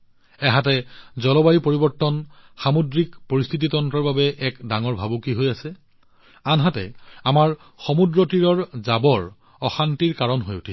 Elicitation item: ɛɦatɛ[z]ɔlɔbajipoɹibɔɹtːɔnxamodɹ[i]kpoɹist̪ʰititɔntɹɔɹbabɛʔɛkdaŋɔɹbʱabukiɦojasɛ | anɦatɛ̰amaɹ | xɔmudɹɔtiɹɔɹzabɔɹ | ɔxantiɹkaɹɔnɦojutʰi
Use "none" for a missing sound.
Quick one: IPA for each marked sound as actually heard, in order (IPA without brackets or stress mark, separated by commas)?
z, i